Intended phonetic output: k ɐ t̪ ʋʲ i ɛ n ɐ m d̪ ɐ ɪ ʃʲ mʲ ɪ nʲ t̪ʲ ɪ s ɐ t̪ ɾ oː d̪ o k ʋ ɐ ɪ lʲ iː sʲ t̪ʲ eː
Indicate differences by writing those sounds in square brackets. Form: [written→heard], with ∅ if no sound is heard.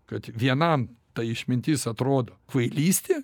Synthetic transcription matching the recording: k ɐ t̪ ʋʲ i ɛ n ɐ m [d̪→t̪] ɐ ɪ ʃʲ mʲ ɪ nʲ t̪ʲ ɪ s ɐ t̪ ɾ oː d̪ o k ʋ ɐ ɪ lʲ iː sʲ t̪ʲ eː